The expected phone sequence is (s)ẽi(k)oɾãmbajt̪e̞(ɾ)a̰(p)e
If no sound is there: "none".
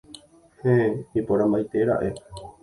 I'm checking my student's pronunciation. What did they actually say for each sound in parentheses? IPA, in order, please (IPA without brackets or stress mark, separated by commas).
h, p, ɾ, ʔ